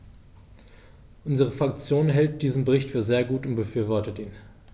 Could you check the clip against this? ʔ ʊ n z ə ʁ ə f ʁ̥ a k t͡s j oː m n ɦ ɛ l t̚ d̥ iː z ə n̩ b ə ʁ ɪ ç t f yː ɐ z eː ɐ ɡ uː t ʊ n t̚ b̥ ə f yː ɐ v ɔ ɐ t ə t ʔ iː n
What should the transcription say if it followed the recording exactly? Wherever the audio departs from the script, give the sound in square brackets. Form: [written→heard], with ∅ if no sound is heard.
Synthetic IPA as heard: ʔ ʊ n z ə ʁ ə f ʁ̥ a k t͡s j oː [m→n] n ɦ ɛ l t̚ d̥ iː z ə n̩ b ə ʁ ɪ ç t f yː ɐ z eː ɐ ɡ uː t ʊ n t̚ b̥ ə f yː ɐ v ɔ ɐ t ə t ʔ iː n

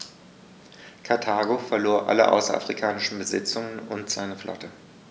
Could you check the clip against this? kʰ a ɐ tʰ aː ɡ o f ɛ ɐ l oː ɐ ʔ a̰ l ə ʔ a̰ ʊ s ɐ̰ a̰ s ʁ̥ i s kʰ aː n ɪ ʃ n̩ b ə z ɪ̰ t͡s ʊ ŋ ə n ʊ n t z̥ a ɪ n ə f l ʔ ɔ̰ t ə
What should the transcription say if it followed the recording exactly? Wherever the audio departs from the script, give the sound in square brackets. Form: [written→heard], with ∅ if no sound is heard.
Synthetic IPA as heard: kʰ a ɐ tʰ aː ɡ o f ɛ ɐ l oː ɐ ʔ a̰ l ə ʔ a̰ ʊ s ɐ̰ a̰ [s→f] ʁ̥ i [s→∅] kʰ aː n ɪ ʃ n̩ b ə z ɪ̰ t͡s ʊ ŋ ə n ʊ n t z̥ a ɪ n ə f l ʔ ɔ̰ t ə

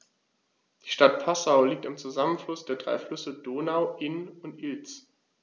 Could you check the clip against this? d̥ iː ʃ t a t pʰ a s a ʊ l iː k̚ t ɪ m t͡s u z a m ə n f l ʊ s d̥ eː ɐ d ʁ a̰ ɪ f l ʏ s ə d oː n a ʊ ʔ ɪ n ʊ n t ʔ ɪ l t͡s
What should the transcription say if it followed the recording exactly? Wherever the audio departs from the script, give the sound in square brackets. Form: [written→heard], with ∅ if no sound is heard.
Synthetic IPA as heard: d̥ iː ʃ t a t pʰ a s a ʊ l iː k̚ t ɪ m t͡s u z a m ə n f l ʊ s d̥ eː ɐ d ʁ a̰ ɪ f l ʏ s ə d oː n a ʊ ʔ ɪ n ʊ n t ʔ ɪ l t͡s

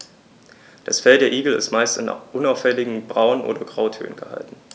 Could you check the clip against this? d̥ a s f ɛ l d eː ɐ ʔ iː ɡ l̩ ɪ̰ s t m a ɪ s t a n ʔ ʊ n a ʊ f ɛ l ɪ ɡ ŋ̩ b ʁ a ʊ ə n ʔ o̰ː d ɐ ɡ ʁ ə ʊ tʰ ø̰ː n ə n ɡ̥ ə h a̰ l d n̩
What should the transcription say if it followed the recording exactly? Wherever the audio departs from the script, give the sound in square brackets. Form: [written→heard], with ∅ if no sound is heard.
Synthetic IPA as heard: d̥ a s f ɛ l d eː ɐ ʔ iː ɡ l̩ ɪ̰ s t m a ɪ s t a n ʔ ʊ n a ʊ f ɛ l ɪ ɡ ŋ̩ b ʁ a ʊ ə n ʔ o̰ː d ɐ ɡ ʁ [ə→a] ʊ tʰ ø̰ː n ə n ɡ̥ ə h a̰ l [d→t] n̩

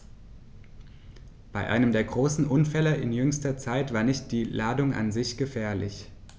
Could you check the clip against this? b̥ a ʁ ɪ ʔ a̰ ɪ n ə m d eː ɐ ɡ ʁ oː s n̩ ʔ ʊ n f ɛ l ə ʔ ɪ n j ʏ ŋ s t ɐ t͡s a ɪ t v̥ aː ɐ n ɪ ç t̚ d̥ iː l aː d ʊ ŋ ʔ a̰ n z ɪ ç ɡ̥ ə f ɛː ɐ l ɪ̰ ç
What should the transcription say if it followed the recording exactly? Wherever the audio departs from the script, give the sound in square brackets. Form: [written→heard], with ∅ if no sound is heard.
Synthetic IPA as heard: b̥ a [ʁ→∅] ɪ ʔ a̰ ɪ n ə m d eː ɐ ɡ ʁ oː s n̩ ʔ ʊ n f ɛ l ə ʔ ɪ n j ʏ ŋ s t ɐ t͡s a ɪ t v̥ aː ɐ n ɪ ç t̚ d̥ iː l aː d ʊ ŋ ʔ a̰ n z ɪ ç ɡ̥ ə f ɛː ɐ l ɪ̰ ç

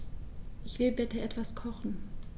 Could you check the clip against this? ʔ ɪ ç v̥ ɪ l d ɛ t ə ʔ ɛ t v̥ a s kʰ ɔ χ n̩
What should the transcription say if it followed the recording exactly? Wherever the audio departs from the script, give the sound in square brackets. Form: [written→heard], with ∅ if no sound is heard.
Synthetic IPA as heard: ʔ ɪ ç v̥ ɪ l [d→b] ɛ t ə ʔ ɛ t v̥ a s kʰ ɔ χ n̩

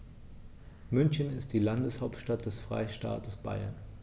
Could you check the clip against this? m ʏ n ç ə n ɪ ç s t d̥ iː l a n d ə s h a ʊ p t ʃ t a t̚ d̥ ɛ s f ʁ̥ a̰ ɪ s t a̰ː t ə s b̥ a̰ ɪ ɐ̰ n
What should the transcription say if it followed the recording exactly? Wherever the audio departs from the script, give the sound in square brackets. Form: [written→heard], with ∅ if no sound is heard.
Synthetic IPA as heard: m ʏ n ç ə n ɪ [ç→∅] s t d̥ iː l a n d ə s h a ʊ p t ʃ t a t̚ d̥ ɛ s f ʁ̥ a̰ ɪ [s→ʃ] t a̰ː t ə s b̥ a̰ ɪ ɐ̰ n

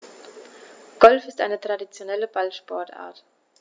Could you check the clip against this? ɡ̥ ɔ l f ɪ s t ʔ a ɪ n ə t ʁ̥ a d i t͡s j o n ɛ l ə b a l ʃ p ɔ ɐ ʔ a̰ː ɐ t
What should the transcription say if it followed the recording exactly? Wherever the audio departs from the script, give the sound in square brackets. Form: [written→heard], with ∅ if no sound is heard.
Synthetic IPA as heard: ɡ̥ ɔ l f ɪ s t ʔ a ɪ n ə t ʁ̥ a d i t͡s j o n ɛ l ə b a l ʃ p ɔ ɐ [ʔ→t] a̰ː ɐ t

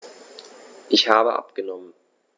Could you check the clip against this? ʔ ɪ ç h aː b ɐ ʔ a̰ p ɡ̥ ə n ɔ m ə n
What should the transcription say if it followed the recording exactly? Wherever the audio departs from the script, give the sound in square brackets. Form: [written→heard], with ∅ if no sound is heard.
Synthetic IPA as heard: ʔ ɪ ç h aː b [ɐ→ə] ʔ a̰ p ɡ̥ ə n ɔ m ə n

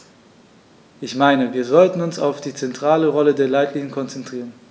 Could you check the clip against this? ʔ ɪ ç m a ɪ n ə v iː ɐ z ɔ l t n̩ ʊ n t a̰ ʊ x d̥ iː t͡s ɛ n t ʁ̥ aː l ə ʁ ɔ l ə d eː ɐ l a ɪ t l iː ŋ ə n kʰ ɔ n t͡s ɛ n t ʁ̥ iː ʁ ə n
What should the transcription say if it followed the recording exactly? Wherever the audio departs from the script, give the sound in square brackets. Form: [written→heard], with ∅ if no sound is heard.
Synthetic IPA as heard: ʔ ɪ ç m a ɪ n ə v iː ɐ z ɔ l t n̩ ʊ n [t→s] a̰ ʊ [x→f] d̥ iː t͡s ɛ n t ʁ̥ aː l ə ʁ ɔ l ə d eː ɐ l a ɪ t l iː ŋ ə n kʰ ɔ n t͡s ɛ n t ʁ̥ iː ʁ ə n

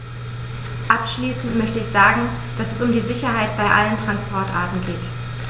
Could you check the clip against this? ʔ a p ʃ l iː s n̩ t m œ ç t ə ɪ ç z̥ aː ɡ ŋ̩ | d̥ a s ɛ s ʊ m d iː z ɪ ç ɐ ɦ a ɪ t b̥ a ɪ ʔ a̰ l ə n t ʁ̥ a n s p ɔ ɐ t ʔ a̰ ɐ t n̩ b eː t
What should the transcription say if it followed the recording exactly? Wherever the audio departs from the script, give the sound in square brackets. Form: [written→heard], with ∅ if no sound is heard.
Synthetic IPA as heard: ʔ a p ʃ l iː s n̩ t m œ ç t ə ɪ ç z̥ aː ɡ ŋ̩ | d̥ a s ɛ s ʊ m d iː z ɪ ç ɐ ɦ a ɪ t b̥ a ɪ ʔ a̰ l ə n t ʁ̥ a n s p ɔ ɐ t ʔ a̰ ɐ t n̩ [b→ɡ] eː t

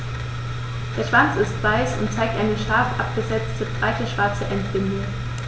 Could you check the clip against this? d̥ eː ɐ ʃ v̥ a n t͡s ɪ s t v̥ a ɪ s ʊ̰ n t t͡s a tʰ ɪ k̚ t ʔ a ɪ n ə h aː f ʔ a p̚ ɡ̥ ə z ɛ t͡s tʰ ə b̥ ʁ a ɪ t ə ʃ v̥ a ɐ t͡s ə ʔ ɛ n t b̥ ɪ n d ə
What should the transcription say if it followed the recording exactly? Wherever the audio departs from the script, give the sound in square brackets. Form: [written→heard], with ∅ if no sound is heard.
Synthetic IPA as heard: d̥ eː ɐ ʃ v̥ a n t͡s ɪ s t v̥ a ɪ s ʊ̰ n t t͡s a [tʰ→∅] ɪ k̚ t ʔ a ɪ n ə [h→ʃ] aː f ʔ a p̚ ɡ̥ ə z ɛ t͡s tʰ ə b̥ ʁ a ɪ t ə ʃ v̥ a ɐ t͡s ə ʔ ɛ n t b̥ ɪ n d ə

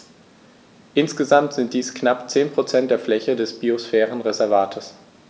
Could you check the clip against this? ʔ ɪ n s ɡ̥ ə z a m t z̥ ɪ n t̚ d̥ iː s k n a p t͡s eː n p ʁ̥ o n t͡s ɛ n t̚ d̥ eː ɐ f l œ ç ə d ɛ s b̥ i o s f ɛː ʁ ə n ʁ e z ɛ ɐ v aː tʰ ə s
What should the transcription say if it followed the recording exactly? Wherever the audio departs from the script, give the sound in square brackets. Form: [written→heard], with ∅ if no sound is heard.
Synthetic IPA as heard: ʔ ɪ n s ɡ̥ ə z a m t z̥ ɪ n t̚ d̥ iː s k n a p t͡s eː n p ʁ̥ o [n→∅] t͡s ɛ n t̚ d̥ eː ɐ f l [œ→ɛ] ç ə d ɛ s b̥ i o s f ɛː ʁ ə n ʁ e z ɛ ɐ v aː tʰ ə s

